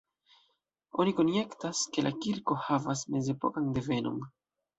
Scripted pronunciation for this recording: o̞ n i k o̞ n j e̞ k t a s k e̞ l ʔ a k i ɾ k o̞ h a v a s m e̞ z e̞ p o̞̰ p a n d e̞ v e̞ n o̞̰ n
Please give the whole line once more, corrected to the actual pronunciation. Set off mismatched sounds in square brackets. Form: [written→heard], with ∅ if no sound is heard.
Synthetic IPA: o̞ n i k o̞ n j e̞ k t a s k e̞ l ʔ a k i ɾ k o̞ h a v a s m e̞ z e̞ p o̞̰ [p→k] a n d e̞ v e̞ n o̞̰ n